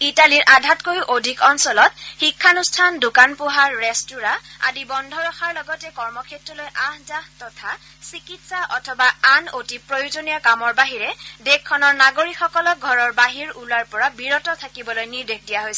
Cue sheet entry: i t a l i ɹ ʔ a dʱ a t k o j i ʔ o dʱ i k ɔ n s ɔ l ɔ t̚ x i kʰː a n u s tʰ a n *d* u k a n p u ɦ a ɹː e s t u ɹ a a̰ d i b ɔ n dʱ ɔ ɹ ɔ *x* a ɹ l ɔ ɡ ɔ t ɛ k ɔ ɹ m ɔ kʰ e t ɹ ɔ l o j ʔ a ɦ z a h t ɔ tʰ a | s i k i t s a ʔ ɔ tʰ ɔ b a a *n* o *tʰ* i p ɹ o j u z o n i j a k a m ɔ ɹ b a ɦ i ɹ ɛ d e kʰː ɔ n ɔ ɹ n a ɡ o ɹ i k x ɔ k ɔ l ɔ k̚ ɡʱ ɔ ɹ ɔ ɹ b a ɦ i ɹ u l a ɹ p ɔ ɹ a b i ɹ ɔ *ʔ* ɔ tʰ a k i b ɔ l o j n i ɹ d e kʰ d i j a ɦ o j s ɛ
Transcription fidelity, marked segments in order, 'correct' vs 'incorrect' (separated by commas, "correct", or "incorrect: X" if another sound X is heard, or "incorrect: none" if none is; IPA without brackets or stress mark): correct, correct, correct, incorrect: t, incorrect: t